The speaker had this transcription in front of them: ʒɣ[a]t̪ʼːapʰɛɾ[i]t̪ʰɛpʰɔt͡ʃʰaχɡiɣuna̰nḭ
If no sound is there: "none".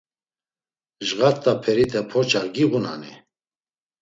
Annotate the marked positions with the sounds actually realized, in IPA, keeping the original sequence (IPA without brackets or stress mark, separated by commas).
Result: a, i